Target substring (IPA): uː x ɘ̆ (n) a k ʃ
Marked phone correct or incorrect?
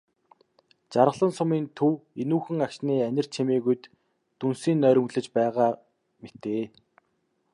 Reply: incorrect